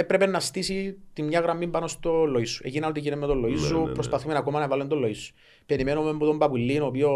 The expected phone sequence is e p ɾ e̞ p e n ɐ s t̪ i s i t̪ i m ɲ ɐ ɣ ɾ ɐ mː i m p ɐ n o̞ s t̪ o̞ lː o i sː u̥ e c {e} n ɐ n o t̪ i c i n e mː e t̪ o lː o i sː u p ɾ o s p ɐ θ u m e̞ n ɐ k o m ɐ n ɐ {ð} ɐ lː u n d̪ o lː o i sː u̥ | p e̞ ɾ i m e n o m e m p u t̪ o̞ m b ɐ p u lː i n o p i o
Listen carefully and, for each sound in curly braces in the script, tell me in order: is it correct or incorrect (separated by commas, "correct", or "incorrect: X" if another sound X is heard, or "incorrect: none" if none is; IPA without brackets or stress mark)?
incorrect: i, incorrect: v